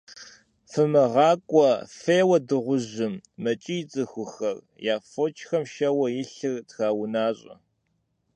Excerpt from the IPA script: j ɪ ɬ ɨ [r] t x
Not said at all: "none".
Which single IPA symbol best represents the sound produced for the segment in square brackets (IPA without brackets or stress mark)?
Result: r